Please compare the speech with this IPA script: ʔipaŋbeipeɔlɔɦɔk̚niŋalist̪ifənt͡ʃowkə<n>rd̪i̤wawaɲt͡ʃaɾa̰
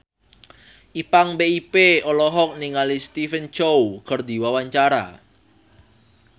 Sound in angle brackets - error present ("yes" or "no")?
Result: yes